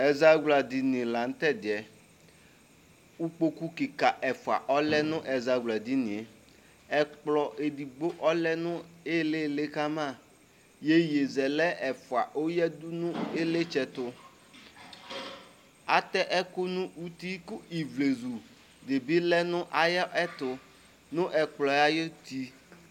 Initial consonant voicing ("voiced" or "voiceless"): voiced